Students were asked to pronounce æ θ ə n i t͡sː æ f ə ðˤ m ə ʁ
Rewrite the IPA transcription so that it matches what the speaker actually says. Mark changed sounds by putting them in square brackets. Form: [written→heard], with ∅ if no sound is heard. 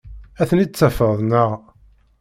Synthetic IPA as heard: æ θ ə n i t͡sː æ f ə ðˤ [m→n] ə ʁ